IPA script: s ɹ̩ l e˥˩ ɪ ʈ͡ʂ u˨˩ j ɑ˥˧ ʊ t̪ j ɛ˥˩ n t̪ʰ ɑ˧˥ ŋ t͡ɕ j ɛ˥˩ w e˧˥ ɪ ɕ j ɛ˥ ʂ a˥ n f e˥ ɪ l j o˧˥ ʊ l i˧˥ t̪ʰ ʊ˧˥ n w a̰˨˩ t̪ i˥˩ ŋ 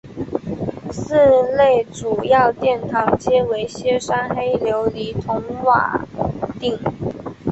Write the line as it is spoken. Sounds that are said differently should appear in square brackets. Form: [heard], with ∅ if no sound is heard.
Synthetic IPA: s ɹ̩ l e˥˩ ɪ ʈ͡ʂ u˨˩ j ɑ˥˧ ʊ t̪ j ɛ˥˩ n t̪ʰ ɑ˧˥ ŋ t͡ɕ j [ɛ˥] w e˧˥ ɪ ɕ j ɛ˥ ʂ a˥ n [x] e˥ ɪ l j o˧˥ ʊ l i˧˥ t̪ʰ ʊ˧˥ [ŋ] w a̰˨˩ t̪ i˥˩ ŋ